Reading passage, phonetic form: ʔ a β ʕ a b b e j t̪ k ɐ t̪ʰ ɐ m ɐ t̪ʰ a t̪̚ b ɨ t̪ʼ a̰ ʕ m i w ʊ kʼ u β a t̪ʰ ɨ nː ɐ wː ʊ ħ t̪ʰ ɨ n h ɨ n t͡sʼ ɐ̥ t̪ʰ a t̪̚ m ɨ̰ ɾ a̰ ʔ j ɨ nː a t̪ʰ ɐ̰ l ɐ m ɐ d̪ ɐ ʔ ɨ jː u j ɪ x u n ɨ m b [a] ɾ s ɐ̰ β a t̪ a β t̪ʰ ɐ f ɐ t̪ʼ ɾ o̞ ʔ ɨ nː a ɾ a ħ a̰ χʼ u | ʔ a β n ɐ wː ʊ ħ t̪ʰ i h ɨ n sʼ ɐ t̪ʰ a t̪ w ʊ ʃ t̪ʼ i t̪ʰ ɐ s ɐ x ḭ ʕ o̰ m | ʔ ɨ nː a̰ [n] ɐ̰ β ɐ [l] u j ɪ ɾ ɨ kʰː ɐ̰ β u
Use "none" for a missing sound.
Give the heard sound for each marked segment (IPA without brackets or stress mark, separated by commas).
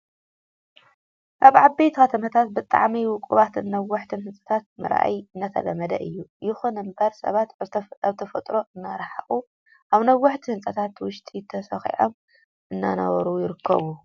ɐ, n, ɾ